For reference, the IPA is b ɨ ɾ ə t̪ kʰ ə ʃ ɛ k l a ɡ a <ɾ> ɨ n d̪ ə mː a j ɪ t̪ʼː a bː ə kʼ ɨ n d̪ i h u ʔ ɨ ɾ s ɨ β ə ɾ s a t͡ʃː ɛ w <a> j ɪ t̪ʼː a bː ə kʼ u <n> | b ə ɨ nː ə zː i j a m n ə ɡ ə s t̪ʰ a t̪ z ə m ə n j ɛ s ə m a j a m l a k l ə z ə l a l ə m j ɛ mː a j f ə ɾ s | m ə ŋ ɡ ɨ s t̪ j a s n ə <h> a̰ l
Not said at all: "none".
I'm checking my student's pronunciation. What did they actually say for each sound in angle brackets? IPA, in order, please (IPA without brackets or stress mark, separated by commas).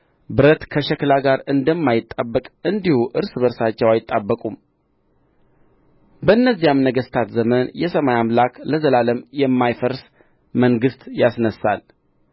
ɾ, a, m, s